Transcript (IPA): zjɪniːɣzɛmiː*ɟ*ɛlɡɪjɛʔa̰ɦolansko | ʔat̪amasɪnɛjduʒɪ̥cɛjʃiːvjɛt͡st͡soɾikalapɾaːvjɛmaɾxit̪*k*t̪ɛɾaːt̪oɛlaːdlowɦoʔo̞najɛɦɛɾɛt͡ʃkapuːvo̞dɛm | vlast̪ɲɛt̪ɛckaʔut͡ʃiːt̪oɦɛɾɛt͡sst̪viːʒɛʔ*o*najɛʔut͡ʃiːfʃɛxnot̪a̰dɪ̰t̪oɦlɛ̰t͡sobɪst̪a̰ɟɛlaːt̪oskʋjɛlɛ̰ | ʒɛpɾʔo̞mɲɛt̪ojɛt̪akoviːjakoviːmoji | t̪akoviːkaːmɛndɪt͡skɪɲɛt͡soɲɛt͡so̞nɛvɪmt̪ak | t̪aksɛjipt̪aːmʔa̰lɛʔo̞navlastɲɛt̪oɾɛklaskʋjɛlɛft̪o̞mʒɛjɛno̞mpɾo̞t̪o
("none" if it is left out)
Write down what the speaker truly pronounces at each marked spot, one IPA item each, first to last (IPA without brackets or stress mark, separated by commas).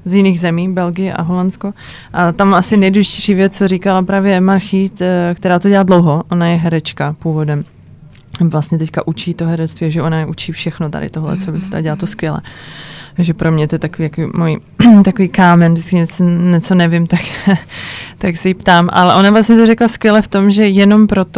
b, k, o